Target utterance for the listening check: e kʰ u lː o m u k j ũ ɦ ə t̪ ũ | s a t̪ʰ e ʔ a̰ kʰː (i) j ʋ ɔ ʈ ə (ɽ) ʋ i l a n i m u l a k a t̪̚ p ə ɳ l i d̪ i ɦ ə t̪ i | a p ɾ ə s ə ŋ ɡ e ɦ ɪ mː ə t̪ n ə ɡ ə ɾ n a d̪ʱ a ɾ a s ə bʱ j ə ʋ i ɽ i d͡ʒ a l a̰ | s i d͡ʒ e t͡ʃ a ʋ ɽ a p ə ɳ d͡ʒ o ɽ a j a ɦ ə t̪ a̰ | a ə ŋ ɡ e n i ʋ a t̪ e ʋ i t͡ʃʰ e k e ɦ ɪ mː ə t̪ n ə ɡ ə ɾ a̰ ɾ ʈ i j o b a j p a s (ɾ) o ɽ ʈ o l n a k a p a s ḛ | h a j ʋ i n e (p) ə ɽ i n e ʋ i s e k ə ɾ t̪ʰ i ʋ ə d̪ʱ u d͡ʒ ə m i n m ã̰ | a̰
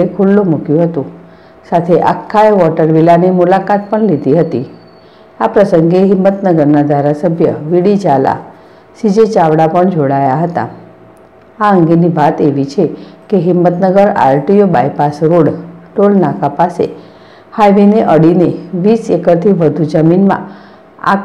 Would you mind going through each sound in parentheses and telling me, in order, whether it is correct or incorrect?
incorrect: a, incorrect: ɾ, correct, incorrect: ʔ

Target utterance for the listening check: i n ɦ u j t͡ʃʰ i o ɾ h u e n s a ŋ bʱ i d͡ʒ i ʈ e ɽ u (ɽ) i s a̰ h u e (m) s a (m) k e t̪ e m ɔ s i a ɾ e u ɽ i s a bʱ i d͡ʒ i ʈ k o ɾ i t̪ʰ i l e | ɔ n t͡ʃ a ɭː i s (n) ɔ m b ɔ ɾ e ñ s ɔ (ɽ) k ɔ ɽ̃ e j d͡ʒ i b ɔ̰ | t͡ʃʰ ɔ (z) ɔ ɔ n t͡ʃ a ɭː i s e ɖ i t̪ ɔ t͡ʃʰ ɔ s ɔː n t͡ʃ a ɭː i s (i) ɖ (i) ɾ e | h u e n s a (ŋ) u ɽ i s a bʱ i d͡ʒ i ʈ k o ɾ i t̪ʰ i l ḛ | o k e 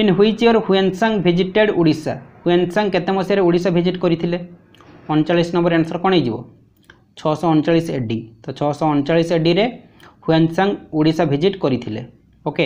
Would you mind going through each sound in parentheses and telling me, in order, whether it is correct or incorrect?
correct, incorrect: n, incorrect: ŋ, correct, incorrect: ɾ, incorrect: s, incorrect: e, correct, correct

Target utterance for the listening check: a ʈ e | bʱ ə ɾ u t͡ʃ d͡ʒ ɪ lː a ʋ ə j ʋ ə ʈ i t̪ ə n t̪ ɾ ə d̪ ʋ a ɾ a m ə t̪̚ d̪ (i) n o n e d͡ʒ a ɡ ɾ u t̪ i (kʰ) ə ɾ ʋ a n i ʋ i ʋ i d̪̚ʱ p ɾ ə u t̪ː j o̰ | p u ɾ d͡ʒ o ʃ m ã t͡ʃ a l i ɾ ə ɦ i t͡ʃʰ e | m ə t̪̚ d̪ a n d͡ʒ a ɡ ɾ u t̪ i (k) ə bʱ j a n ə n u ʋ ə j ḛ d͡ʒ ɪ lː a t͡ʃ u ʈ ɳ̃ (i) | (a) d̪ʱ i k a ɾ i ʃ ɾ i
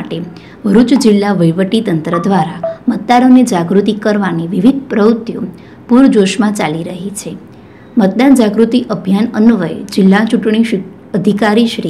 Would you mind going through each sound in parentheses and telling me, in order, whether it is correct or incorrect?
incorrect: a, incorrect: k, incorrect: ʔ, correct, incorrect: ə

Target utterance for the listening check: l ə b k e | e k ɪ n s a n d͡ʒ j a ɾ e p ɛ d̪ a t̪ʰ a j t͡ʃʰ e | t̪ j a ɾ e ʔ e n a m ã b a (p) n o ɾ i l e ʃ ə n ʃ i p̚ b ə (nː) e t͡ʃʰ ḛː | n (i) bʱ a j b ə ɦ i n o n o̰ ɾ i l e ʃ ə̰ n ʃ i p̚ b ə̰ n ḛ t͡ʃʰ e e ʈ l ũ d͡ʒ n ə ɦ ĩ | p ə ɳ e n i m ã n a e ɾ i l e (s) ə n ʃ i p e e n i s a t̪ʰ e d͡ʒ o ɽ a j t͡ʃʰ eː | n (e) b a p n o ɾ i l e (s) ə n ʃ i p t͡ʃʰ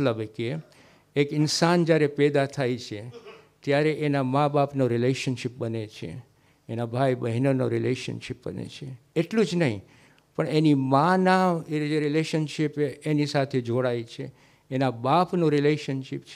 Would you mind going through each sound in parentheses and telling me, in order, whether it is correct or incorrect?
correct, incorrect: n, incorrect: a, incorrect: ʃ, incorrect: a, incorrect: ʃ

